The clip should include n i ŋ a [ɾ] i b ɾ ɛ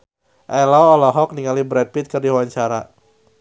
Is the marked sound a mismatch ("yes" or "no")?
yes